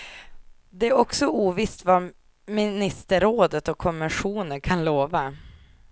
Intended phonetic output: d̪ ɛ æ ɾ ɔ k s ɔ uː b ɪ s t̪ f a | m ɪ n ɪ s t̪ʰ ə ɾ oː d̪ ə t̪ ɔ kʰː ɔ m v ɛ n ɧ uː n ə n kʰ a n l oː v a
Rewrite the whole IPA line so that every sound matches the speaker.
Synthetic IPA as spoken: d̪ ɛ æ ɾ ɔ k s ɔ uː v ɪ s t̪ v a | m ɪ n ɪ s t̪ ə ɾ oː d̪ ə t̪ ɔ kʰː ɔ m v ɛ n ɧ uː n ə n kʰ a n l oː v a